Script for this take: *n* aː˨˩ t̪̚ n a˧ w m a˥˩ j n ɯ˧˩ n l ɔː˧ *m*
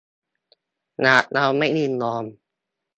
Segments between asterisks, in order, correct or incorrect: correct, correct

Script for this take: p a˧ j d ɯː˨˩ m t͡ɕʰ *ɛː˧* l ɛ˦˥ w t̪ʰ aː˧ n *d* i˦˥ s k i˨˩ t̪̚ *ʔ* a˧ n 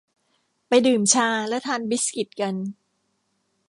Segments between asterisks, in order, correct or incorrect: incorrect, incorrect, incorrect

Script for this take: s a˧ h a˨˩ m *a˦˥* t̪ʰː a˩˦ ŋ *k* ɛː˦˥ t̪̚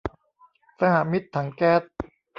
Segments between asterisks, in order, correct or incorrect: incorrect, correct

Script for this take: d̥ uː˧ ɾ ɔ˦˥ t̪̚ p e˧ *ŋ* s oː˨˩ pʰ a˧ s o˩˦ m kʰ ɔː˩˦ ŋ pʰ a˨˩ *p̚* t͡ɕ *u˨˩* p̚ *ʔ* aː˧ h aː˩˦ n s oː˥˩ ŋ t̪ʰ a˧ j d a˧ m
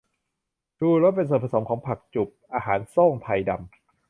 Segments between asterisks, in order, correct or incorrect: incorrect, incorrect, correct, correct

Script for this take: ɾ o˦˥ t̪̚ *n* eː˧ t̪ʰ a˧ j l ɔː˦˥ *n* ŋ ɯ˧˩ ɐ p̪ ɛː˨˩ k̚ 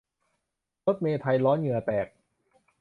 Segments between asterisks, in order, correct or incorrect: incorrect, correct

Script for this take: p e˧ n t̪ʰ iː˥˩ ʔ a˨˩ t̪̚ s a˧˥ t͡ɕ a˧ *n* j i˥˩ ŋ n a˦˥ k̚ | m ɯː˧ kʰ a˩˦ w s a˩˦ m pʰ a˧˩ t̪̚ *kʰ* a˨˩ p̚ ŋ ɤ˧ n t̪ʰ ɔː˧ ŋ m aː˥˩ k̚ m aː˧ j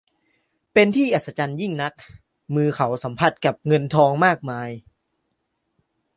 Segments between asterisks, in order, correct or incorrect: correct, incorrect

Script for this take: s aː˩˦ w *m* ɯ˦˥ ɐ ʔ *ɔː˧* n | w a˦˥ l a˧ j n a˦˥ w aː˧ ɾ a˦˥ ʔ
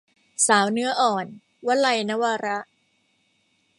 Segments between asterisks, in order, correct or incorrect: incorrect, incorrect

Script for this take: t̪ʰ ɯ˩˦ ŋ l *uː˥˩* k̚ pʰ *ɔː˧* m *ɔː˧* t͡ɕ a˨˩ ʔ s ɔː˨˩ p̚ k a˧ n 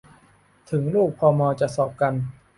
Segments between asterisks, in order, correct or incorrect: correct, correct, correct

